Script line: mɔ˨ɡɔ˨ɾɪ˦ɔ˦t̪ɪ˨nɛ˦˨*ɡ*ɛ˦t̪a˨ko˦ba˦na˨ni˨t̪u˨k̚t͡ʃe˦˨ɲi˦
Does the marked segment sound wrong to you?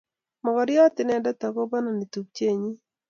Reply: yes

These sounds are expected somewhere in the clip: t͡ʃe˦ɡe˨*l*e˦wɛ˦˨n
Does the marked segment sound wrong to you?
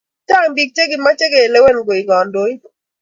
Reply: no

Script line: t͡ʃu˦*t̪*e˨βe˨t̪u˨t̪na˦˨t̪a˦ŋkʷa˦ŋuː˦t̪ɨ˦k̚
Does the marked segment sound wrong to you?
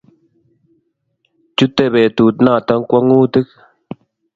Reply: no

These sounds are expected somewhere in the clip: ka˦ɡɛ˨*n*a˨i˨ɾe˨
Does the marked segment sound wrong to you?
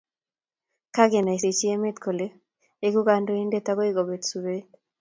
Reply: no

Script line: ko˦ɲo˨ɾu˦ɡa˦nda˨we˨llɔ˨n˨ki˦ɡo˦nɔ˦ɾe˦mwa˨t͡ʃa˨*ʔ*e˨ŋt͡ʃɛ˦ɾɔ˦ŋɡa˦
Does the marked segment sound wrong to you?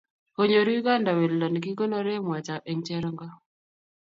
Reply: no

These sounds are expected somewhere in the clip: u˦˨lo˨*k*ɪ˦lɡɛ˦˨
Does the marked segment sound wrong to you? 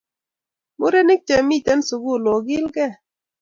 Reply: yes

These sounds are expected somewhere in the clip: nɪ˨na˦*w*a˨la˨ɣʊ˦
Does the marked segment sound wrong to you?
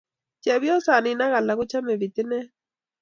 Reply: yes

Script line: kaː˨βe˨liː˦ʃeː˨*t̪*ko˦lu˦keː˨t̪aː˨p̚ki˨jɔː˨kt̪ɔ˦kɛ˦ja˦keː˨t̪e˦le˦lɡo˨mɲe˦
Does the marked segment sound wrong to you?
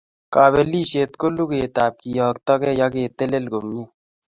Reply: no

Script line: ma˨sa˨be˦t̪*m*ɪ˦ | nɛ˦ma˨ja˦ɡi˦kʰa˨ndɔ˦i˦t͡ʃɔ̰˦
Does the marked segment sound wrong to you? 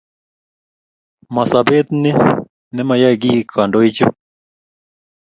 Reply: yes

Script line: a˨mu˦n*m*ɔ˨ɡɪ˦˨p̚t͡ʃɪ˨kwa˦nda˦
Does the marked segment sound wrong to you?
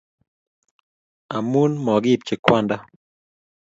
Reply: no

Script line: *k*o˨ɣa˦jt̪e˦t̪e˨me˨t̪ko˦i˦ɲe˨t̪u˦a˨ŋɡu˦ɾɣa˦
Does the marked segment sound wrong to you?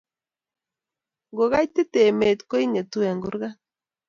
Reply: yes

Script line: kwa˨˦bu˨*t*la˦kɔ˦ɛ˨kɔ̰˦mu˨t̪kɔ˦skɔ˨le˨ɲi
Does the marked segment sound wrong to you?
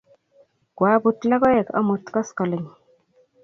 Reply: no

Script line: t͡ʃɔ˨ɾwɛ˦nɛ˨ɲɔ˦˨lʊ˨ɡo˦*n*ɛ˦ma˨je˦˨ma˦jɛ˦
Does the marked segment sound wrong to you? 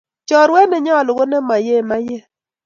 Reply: no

